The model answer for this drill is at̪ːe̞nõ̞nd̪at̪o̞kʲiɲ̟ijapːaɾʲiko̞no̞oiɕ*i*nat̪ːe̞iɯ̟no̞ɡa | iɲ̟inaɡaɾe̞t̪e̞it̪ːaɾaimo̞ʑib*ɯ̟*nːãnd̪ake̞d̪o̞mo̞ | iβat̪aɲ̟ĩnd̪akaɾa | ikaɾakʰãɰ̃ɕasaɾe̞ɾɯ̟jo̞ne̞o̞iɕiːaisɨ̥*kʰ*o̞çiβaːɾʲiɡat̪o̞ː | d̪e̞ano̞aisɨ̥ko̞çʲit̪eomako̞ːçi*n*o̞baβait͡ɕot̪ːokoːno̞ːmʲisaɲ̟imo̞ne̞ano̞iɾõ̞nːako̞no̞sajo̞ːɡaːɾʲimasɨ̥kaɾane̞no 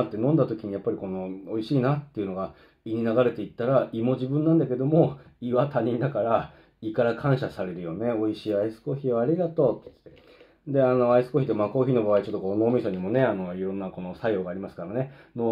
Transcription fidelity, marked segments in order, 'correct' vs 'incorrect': incorrect, incorrect, incorrect, correct

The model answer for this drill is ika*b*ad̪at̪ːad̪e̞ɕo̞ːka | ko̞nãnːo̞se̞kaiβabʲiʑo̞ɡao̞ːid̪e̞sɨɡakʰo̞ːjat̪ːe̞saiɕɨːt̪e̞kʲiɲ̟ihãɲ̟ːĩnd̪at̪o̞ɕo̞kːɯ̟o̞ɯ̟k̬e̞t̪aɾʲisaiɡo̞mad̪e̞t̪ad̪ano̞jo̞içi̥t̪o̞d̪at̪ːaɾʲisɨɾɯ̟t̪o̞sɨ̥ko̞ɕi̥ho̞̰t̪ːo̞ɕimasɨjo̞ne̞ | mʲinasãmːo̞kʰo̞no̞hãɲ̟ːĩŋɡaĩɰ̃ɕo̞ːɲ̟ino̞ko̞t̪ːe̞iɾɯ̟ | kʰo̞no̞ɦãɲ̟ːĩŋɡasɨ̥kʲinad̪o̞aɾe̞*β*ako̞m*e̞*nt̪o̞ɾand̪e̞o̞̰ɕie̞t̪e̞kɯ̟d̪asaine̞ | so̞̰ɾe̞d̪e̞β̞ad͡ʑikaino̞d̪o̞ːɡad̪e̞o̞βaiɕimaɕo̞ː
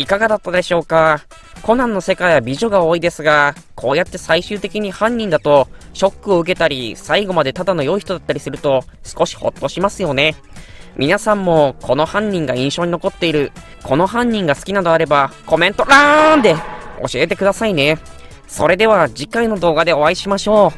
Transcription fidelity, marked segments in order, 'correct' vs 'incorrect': incorrect, incorrect, incorrect

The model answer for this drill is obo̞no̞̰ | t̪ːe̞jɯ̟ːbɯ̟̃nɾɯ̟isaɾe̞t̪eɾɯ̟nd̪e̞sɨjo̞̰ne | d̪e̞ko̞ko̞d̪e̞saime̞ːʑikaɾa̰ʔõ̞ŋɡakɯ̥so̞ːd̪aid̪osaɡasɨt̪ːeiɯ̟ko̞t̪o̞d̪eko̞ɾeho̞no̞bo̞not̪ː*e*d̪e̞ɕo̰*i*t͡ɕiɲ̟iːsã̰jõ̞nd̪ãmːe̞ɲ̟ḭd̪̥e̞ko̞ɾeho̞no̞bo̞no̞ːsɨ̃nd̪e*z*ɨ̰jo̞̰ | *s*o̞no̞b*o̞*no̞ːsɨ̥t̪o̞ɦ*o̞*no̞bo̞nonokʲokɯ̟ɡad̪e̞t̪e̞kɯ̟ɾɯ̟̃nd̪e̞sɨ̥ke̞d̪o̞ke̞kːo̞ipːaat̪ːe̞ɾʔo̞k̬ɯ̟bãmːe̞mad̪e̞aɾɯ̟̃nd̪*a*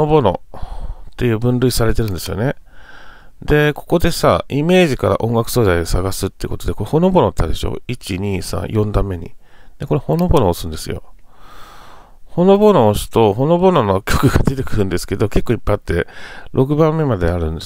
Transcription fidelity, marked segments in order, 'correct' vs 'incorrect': incorrect, correct, incorrect, incorrect, correct, correct, incorrect

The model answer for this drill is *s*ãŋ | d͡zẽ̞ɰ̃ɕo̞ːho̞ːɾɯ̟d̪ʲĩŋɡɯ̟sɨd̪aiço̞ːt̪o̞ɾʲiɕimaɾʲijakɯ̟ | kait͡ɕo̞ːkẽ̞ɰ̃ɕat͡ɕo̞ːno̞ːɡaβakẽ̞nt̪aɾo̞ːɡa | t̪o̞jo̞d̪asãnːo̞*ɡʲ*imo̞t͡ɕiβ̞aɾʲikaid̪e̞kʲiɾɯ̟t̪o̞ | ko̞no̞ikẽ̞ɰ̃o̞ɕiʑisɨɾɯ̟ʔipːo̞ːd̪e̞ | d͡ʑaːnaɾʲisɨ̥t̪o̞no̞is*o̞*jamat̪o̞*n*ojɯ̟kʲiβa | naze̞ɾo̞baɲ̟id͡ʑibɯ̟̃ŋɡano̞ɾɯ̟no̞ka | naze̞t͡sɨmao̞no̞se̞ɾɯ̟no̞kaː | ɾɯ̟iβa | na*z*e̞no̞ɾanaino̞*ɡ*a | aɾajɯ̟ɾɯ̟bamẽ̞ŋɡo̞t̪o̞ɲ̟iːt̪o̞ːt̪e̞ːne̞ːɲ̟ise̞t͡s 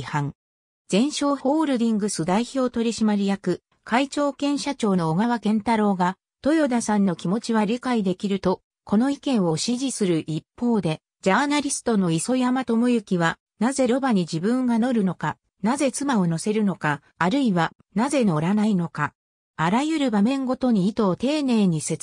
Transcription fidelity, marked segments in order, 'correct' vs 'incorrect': incorrect, incorrect, correct, incorrect, correct, incorrect

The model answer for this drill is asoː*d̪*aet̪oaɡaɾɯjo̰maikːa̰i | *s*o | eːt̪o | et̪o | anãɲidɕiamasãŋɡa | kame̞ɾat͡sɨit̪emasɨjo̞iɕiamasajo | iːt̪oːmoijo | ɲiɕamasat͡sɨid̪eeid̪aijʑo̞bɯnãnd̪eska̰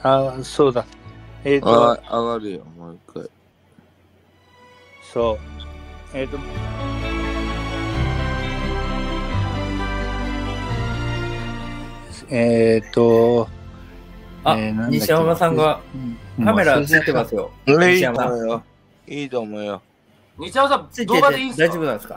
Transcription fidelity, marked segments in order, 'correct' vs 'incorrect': correct, correct

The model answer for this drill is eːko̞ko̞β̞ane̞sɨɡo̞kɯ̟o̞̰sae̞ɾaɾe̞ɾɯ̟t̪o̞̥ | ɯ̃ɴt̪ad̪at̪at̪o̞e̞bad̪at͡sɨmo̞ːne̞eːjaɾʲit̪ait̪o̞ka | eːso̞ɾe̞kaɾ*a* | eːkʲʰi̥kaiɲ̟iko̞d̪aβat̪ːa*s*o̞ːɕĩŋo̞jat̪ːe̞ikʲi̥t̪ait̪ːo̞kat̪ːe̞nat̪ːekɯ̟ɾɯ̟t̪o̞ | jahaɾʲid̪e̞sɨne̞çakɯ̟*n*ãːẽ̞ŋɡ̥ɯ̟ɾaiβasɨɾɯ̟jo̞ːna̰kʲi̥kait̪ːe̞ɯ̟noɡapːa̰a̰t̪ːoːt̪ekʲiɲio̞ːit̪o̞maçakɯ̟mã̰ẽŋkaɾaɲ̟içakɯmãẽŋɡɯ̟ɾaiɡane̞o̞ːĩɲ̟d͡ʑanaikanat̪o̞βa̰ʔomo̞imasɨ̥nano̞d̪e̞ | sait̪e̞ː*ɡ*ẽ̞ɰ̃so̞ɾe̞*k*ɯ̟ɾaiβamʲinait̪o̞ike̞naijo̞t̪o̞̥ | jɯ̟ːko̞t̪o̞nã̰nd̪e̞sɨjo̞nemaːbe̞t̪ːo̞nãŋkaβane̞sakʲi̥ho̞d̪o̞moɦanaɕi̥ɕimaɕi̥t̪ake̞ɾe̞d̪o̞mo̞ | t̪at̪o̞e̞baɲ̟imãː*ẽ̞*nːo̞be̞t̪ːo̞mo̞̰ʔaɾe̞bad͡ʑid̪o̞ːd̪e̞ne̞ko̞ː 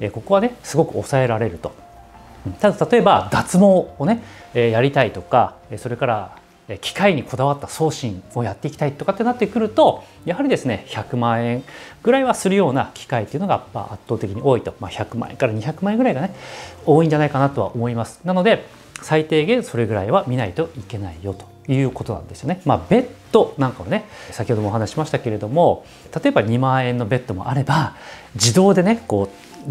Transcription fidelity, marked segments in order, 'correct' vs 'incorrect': correct, correct, incorrect, correct, incorrect, correct

